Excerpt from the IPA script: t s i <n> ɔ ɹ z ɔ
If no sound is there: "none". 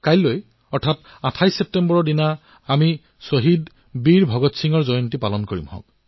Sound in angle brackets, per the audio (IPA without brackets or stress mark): ŋ